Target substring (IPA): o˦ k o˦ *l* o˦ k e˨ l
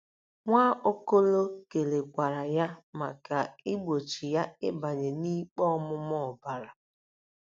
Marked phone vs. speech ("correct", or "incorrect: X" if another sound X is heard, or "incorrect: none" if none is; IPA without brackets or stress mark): correct